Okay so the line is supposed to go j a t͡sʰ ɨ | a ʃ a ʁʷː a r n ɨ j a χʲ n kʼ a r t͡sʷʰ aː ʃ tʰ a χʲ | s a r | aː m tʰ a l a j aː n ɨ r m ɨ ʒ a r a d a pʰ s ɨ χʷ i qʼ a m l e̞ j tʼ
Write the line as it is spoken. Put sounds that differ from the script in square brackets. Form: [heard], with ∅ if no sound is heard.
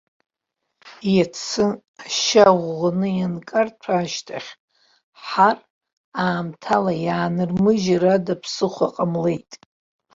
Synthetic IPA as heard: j a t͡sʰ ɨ | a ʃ a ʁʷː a [∅] n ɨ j a [∅] n kʼ a r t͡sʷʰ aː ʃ tʰ a χʲ | [ħ] a r | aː m tʰ a l a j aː n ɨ r m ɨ ʒ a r a d a pʰ s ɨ χʷ [a] qʼ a m l e̞ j tʼ